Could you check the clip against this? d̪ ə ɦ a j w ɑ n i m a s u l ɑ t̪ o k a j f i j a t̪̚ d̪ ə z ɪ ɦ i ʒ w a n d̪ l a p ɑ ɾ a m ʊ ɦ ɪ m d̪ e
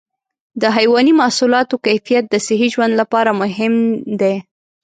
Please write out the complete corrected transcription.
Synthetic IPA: d̪ ə ɦ a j w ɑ n i m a s u l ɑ t̪ o k a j f i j a t̪̚ d̪ ə s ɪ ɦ i ʒ w a n d̪ l a p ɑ ɾ a m ʊ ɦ ɪ m d̪ e